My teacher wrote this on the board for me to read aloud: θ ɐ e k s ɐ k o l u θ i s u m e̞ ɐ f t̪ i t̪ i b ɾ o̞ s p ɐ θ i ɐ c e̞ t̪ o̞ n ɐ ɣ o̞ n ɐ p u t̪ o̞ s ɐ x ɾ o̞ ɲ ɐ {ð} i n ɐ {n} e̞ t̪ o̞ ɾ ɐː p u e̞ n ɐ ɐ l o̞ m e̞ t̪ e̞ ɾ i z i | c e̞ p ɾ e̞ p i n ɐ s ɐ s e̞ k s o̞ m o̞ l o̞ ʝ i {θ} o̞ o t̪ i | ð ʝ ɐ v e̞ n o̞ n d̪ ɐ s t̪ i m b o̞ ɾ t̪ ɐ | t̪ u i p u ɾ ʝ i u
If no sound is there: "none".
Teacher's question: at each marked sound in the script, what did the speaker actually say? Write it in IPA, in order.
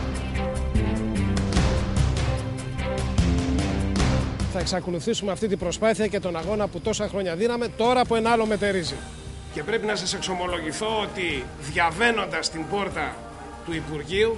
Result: ð, m, θ

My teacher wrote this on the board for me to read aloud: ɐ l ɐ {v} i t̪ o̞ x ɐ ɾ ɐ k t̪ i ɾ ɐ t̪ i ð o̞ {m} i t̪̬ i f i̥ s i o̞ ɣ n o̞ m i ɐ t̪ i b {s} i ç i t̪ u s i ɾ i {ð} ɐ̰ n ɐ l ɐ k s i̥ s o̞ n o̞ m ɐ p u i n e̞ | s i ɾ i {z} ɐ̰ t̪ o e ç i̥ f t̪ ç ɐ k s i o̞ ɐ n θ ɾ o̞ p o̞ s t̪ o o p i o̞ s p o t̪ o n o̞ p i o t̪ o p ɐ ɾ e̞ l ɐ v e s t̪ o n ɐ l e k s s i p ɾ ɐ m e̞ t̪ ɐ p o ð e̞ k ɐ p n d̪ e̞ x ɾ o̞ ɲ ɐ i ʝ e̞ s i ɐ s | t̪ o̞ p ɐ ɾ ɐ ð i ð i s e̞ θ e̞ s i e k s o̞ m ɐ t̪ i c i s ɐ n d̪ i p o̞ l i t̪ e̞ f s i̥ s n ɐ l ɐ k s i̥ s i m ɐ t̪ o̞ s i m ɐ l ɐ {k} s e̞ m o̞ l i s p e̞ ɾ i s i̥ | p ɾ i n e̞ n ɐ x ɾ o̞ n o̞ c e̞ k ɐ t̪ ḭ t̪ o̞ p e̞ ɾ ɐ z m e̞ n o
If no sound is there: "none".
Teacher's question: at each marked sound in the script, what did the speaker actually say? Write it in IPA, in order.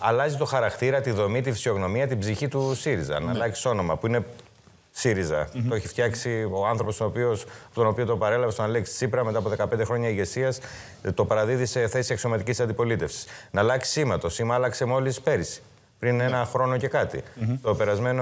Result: z, m, z, z, z, k

